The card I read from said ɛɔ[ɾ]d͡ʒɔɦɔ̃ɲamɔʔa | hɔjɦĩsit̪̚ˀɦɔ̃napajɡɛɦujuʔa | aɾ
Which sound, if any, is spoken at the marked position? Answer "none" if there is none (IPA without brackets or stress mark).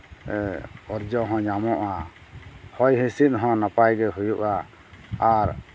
ɾ